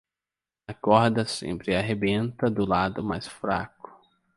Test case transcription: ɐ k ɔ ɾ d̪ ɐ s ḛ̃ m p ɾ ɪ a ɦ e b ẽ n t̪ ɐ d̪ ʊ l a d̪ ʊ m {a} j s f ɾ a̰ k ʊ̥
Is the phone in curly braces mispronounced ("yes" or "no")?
no